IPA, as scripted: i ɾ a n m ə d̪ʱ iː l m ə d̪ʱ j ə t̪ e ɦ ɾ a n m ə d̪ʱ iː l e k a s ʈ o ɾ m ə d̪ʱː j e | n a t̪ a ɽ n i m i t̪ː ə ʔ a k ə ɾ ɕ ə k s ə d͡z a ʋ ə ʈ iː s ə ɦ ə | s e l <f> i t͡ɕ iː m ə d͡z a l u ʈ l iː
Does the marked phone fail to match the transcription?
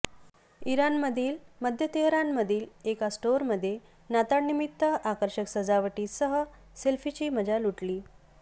no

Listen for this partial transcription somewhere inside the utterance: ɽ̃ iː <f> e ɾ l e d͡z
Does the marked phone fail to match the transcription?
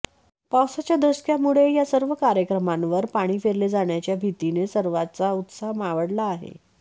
no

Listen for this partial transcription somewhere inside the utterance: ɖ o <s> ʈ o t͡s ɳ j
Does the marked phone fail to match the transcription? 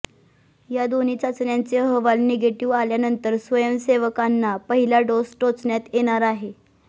no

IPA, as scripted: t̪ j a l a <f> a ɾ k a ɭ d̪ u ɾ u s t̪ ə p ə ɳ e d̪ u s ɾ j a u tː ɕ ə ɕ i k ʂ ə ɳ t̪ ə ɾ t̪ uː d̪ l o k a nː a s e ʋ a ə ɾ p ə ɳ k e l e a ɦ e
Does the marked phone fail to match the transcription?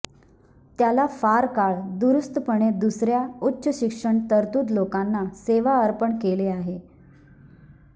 no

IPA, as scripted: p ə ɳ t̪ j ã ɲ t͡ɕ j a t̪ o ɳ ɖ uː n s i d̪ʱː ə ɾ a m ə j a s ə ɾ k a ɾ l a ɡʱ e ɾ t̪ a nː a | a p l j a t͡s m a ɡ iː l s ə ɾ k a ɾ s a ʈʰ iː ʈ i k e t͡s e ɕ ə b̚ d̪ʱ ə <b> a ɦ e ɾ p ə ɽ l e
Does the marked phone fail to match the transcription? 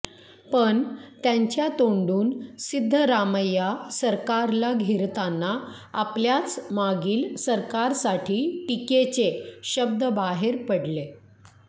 no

